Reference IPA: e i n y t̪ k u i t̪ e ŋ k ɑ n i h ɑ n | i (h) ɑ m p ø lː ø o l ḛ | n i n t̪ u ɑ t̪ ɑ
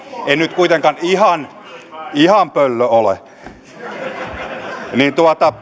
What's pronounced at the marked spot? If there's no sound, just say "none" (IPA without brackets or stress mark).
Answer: h